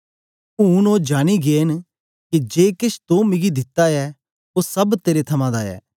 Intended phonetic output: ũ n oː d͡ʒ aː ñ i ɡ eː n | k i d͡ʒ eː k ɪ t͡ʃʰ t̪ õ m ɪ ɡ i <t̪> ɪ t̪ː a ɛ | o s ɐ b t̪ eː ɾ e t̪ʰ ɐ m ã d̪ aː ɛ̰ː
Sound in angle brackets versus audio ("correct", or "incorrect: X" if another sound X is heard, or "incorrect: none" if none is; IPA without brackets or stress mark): incorrect: d̪